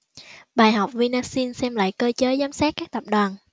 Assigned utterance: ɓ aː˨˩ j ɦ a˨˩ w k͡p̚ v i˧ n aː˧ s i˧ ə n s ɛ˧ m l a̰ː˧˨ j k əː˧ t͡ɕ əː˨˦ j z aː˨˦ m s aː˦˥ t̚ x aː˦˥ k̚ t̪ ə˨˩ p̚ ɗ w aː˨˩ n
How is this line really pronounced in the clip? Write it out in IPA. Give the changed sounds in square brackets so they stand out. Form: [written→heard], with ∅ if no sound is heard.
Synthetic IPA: ɓ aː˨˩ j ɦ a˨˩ w k͡p̚ v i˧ n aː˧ s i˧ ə n s ɛ˧ m l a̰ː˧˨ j k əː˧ t͡ɕ əː˨˦ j z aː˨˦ m s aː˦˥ t̚ [x→k] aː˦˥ k̚ t̪ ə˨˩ p̚ ɗ w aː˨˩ n